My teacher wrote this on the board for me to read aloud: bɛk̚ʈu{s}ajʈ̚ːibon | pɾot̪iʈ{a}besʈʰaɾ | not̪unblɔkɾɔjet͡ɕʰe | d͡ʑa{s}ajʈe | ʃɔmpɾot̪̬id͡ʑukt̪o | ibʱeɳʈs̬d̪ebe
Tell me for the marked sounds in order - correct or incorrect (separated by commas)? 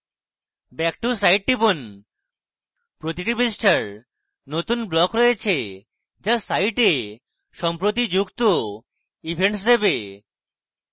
correct, incorrect, correct